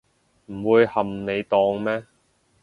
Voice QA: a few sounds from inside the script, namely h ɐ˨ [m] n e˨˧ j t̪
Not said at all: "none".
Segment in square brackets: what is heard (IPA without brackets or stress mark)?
m